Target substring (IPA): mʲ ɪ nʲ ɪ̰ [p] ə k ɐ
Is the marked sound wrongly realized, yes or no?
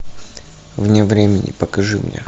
no